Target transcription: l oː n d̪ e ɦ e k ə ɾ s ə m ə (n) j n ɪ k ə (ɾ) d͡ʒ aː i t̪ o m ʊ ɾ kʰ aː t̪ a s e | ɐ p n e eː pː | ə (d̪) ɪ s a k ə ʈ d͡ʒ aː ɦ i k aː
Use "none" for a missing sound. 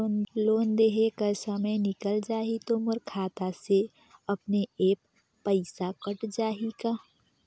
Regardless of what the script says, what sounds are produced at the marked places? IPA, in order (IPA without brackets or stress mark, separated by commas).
none, l, none